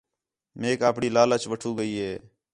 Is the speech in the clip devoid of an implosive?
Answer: yes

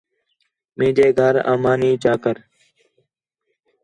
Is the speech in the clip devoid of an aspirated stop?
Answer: yes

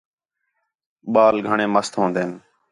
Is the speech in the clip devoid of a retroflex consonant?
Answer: no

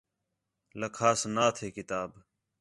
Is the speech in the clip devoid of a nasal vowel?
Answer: yes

